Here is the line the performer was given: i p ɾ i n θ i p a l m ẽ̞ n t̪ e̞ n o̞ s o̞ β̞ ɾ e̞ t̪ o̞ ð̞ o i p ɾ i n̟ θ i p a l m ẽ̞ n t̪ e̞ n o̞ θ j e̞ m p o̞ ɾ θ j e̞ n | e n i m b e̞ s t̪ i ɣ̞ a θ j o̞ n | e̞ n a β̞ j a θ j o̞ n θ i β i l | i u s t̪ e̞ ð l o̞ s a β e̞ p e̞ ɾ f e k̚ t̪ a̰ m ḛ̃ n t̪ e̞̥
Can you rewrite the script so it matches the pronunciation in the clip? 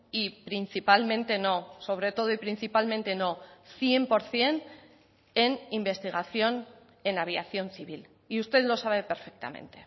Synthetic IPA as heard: i p ɾ i n θ i p a l m ẽ̞ n t̪ e̞ n o̞ s o̞ β̞ ɾ e̞ t̪ o̞ ð̞ o i p ɾ i n̟ θ i p a l m ẽ̞ n t̪ e̞ n o̞ θ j e̞ m p o̞ ɾ θ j e̞ n | e n i m b e̞ s t̪ i ɣ̞ a θ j o̞ n | e̞ n a β̞ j a θ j o̞ n θ i β i l | i u s t̪ e̞ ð l o̞ s a β e̞ p e̞ ɾ f e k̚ t̪ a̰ m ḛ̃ n t̪ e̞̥